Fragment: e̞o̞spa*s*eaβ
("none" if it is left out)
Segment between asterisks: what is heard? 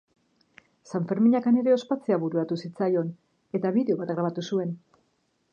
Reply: t͡s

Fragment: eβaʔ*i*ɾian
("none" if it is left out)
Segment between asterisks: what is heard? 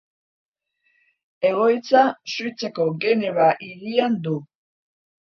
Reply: i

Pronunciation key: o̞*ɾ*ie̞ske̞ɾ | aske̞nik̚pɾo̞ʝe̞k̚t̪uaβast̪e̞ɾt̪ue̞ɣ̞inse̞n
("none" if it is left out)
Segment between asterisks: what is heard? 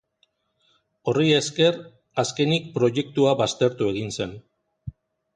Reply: r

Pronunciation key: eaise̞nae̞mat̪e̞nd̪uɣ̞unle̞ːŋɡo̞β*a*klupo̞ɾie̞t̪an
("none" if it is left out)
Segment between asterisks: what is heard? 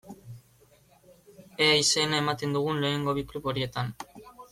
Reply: i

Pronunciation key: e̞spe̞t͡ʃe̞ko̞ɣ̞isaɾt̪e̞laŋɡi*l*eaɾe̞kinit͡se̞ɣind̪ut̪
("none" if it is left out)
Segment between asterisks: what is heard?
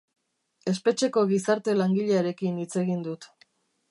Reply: ʎ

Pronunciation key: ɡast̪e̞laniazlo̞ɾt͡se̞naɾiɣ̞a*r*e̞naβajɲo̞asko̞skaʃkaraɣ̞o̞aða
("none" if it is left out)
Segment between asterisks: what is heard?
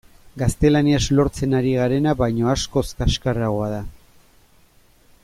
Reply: ɾ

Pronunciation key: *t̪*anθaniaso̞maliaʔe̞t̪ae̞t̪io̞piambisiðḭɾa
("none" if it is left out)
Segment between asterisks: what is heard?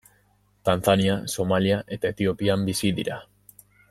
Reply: t̪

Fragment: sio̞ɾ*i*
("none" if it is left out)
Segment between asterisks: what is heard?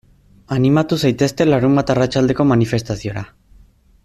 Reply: a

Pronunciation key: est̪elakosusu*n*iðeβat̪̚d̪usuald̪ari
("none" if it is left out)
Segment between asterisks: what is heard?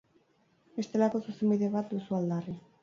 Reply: m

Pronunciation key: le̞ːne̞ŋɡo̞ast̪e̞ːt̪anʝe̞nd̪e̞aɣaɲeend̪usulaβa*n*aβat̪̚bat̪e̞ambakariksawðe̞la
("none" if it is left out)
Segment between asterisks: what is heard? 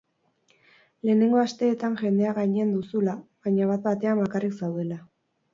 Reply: ɲ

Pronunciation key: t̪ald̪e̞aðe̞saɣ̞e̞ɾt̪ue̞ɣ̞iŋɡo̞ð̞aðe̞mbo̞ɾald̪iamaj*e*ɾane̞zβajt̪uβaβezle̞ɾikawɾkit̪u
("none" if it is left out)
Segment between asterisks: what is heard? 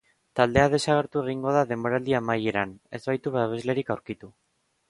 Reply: e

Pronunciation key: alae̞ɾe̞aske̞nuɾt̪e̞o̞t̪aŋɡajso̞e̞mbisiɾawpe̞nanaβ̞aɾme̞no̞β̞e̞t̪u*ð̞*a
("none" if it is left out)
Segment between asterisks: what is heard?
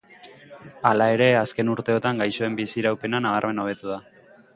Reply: ð̞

